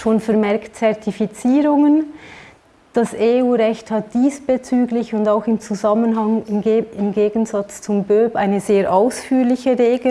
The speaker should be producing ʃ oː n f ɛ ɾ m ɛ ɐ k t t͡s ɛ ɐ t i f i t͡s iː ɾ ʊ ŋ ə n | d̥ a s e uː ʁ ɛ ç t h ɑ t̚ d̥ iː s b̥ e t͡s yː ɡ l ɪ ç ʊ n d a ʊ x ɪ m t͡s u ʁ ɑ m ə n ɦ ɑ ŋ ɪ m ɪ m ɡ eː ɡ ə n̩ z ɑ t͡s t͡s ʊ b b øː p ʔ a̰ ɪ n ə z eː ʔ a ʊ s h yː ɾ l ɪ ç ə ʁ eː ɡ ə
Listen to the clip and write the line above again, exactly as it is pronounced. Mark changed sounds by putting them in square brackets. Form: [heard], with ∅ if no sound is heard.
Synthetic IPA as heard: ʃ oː n f ɛ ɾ m ɛ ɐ k t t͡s ɛ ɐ t i f i t͡s iː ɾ ʊ ŋ ə n | d̥ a s e uː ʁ ɛ ç t h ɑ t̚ d̥ iː s b̥ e t͡s yː ɡ l ɪ ç ʊ n d a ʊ x ɪ m t͡s u [z] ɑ m ə n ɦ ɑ ŋ ɪ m ɪ m ɡ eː ɡ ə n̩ z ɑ t͡s t͡s ʊ [m] b øː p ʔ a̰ ɪ n ə z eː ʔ a ʊ s [f] yː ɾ l ɪ ç ə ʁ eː ɡ ə